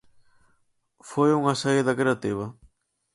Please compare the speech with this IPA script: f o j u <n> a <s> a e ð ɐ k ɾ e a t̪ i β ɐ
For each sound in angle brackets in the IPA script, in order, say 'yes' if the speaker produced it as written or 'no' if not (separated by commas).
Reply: no, yes